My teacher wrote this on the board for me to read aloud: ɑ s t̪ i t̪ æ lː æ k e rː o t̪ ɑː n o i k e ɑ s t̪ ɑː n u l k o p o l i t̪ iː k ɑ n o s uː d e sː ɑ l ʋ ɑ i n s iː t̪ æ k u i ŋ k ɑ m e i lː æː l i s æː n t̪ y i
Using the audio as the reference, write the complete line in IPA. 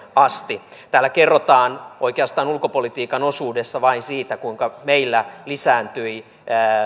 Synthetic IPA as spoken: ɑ s t̪ i t̪ æː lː æ k e rː o t̪ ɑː n o i k e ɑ s t̪ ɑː n u l k o p o l i t̪ iː k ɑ n o s uː d e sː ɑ ʋ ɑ i n s iː t̪ æ k u i ŋ k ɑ m e i lː æ l i s æː n t̪ y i

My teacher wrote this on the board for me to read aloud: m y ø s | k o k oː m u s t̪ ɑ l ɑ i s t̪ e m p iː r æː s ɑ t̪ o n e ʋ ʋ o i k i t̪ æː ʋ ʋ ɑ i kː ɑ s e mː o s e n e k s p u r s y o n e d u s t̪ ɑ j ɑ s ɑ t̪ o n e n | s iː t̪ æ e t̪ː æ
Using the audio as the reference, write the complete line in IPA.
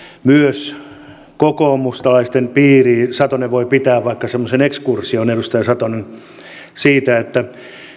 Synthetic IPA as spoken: m y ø s | k o k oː m u s t̪ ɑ l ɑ i s t̪ e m p iː r iː s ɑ t̪ o n e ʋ ʋ o i p i t̪ æː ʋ ʋ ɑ i kː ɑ s e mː o s e n e k s k u r s i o n e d u s t̪ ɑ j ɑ s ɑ t̪ o n e n | s iː t̪ æ e t̪ː æ

